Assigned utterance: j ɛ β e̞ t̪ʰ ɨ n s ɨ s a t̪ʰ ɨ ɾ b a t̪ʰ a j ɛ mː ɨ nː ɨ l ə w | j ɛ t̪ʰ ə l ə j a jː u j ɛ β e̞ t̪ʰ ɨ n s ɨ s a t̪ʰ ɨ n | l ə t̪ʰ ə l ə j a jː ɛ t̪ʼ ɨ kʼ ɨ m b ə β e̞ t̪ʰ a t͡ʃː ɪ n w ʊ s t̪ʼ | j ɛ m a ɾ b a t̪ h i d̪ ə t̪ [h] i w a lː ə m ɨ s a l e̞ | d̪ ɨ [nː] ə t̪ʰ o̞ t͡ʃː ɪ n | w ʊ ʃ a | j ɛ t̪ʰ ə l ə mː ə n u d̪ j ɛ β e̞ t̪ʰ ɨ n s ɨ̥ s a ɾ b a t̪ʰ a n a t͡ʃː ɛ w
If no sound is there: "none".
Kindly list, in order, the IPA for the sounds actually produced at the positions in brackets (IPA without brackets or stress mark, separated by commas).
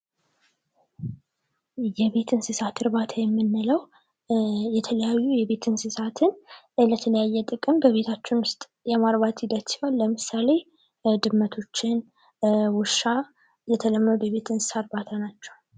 s, mː